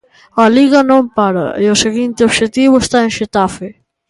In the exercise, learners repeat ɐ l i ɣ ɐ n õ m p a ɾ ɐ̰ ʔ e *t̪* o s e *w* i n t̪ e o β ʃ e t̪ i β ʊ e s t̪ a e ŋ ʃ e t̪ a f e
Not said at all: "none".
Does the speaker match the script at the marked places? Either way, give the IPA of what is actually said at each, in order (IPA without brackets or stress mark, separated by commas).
none, ɣ